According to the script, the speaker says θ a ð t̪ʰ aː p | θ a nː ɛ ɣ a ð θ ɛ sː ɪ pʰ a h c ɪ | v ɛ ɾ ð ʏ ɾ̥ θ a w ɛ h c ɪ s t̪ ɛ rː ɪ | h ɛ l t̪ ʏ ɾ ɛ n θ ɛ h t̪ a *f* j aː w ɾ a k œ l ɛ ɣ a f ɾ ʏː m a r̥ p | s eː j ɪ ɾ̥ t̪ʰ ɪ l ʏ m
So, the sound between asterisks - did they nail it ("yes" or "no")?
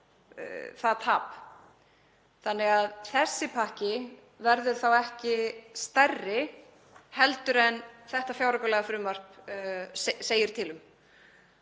yes